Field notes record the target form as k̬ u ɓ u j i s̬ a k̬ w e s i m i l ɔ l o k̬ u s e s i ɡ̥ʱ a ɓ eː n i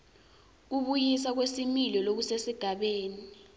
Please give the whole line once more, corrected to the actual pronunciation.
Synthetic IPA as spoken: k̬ u ɓ u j i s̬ a k̬ w e s i m i l ɔ l o k̬ u s e s i ɡ̥ʱ a ɓ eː n i